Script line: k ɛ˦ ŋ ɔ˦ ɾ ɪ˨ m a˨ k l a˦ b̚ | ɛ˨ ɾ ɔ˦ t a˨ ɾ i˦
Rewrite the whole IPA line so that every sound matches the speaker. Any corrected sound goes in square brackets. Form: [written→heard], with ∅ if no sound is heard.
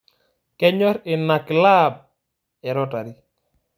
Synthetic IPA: k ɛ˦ [ŋ→ɲ] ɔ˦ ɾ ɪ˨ [m→n] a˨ k l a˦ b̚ | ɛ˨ ɾ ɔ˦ t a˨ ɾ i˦